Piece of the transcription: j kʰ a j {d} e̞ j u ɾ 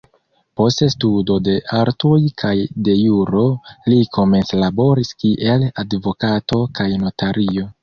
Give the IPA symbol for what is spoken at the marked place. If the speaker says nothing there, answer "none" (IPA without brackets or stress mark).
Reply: d